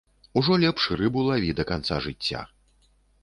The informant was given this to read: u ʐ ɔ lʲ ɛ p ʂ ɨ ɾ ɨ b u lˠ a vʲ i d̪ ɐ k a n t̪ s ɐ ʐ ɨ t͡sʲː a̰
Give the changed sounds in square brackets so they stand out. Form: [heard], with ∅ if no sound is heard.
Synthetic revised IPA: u ʐ ɔ lʲ ɛ p ʂ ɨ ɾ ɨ b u lˠ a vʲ i d̪ ɐ k a n t̪ s [a] ʐ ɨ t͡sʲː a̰